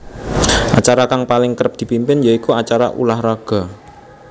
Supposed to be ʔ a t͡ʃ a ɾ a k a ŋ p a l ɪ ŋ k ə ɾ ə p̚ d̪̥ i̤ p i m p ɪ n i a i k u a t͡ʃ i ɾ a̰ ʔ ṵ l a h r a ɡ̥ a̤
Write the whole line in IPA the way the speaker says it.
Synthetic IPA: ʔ a t͡ʃ a ɾ a k a ŋ p a l ɪ ŋ k ə ɾ ə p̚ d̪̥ i̤ p i m p ɪ n j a i k u a t͡ʃ a ɾ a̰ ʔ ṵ l a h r a ɡ̥ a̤